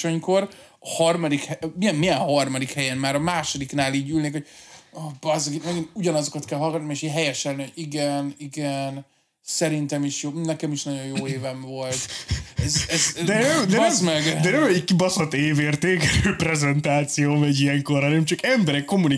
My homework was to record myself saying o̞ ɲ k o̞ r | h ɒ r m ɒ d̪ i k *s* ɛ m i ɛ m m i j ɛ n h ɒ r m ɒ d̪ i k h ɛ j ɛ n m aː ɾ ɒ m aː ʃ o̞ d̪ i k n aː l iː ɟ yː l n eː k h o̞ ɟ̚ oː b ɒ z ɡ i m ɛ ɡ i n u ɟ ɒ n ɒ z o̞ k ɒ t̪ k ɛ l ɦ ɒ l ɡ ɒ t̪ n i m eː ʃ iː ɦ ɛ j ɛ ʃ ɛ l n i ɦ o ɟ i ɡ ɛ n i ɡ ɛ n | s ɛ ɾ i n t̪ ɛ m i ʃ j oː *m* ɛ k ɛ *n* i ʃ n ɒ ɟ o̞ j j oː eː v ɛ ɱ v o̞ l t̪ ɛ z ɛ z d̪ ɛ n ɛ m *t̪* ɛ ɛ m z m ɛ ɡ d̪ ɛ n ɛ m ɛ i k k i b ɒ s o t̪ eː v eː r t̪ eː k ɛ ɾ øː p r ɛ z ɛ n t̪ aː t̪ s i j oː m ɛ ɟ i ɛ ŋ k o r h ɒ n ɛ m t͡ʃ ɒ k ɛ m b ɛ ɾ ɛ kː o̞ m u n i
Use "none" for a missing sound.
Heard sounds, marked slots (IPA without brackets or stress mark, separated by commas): h, n, m, d̪